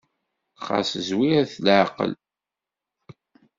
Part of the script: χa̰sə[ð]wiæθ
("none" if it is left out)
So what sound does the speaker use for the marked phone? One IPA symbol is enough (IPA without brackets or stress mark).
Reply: z